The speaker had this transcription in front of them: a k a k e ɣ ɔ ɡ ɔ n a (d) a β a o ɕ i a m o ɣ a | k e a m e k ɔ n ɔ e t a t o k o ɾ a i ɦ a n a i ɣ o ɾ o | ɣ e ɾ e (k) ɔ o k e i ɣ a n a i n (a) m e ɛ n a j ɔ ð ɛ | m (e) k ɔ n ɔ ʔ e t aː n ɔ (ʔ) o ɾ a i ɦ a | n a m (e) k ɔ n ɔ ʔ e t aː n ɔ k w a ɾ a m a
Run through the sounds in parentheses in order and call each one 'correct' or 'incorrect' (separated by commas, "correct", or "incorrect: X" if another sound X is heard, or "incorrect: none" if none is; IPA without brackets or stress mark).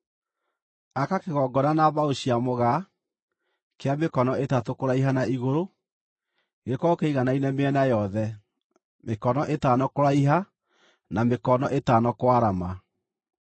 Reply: incorrect: n, correct, incorrect: ɛ, correct, incorrect: k, correct